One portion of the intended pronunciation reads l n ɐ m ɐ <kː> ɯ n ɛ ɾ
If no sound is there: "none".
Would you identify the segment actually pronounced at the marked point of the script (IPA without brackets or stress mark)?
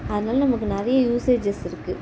kː